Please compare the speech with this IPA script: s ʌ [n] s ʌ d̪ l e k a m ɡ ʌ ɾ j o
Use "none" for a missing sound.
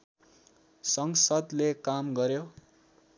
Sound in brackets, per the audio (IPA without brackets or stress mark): ŋ